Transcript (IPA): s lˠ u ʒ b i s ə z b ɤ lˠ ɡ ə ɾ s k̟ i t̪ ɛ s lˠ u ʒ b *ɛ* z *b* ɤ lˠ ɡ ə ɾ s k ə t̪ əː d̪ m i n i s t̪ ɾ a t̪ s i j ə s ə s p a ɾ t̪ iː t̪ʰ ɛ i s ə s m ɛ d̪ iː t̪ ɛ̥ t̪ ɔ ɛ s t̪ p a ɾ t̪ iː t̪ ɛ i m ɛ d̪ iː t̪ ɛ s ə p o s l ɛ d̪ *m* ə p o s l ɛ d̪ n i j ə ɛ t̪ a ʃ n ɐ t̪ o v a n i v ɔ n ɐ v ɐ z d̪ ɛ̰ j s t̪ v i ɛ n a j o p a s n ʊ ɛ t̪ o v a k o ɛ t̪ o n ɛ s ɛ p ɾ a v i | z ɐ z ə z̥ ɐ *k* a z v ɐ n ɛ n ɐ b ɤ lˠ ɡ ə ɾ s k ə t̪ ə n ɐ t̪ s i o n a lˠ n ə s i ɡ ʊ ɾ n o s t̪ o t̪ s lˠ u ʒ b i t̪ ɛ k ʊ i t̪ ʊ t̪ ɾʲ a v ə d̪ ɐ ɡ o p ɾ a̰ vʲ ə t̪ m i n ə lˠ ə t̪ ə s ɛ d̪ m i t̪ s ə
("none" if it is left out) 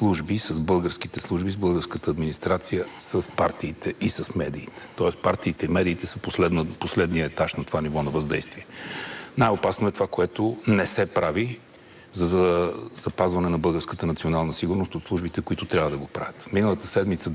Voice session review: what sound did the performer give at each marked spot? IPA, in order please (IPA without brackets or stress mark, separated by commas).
i, b, n, p